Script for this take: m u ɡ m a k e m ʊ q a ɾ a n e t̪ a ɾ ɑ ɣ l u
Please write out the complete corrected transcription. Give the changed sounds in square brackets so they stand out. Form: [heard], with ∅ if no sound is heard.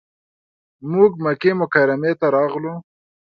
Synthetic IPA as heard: m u ɡ m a k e m ʊ [k] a ɾ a [m] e t̪ a ɾ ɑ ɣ l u